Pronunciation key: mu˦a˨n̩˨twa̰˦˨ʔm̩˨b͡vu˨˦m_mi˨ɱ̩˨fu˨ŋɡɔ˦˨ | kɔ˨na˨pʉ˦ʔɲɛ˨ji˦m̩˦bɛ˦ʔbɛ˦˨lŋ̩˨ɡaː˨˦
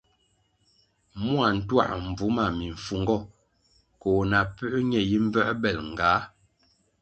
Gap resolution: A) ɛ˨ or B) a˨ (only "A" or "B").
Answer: B